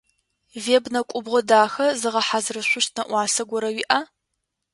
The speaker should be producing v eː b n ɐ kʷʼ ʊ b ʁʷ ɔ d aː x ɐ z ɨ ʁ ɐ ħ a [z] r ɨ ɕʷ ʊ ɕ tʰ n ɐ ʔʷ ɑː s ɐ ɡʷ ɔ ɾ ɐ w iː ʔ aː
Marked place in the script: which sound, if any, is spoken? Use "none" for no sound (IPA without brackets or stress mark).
z